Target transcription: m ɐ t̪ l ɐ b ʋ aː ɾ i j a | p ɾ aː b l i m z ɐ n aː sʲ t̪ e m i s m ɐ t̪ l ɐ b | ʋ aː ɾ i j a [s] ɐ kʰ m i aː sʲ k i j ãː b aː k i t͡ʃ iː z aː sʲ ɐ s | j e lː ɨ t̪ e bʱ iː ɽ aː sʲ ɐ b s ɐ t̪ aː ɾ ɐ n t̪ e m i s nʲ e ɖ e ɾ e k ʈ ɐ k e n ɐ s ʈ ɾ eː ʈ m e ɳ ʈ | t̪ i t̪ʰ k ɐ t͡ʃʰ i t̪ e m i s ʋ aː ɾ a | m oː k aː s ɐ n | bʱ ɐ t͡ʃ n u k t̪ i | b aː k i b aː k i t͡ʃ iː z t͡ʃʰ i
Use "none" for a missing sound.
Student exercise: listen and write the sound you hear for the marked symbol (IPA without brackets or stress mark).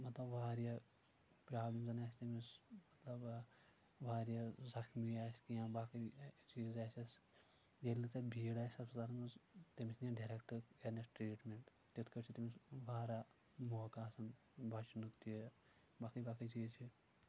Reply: z